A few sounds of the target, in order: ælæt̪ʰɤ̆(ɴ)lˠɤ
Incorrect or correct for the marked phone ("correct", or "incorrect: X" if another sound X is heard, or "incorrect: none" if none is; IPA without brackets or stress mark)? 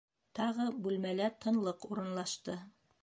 incorrect: n